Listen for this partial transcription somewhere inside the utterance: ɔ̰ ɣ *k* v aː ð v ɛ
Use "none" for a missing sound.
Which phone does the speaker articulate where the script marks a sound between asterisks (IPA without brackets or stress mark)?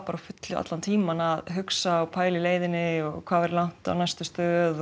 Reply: kʰ